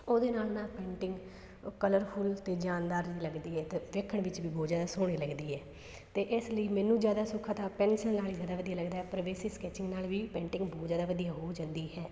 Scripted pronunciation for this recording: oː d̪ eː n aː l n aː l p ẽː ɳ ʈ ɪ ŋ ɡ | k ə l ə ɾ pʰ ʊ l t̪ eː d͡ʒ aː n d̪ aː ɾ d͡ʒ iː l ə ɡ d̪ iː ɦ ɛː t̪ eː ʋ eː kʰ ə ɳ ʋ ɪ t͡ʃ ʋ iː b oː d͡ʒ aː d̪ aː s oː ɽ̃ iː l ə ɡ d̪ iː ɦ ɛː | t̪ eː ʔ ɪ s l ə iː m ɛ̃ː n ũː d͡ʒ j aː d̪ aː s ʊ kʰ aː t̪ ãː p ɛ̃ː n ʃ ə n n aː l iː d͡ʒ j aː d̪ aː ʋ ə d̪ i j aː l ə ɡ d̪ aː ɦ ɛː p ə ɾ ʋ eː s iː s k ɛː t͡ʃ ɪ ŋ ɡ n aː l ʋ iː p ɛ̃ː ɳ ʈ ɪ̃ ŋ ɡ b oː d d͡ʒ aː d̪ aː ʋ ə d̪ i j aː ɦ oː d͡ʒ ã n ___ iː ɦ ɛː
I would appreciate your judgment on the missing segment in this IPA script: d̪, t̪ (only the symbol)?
d̪